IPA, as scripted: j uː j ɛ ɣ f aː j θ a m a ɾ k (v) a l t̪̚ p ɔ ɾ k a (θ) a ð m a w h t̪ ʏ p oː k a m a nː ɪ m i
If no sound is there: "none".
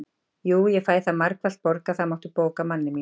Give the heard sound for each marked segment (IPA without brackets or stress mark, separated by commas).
v, θ